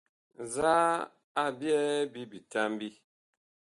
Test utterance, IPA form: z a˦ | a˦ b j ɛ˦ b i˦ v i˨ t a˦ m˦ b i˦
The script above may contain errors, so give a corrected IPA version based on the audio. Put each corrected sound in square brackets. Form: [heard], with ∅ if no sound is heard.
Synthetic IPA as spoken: z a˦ | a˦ b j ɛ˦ b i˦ [b] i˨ t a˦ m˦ b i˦